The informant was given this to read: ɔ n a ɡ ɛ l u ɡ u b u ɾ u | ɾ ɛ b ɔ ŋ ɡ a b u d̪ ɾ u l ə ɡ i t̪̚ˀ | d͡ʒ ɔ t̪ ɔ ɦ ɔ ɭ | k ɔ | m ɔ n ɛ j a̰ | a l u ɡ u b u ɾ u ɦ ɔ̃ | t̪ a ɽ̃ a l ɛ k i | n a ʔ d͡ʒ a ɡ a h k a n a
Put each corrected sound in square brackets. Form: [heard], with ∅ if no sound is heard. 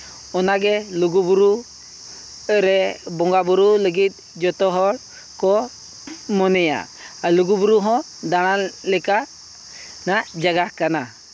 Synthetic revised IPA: ɔ n a ɡ ɛ l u ɡ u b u ɾ u | ɾ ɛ b ɔ ŋ ɡ a b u [∅] ɾ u l ə ɡ i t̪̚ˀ | d͡ʒ ɔ t̪ ɔ ɦ ɔ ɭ | k ɔ | m ɔ n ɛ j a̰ | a l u ɡ u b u ɾ u ɦ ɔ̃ | [d̪] a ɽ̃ a l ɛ k [a] | n a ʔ d͡ʒ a ɡ a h k a n a